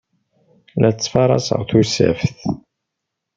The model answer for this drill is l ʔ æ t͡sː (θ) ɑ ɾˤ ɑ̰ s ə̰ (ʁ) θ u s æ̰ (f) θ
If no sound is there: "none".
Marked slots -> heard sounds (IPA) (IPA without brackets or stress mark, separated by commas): f, ʁ, f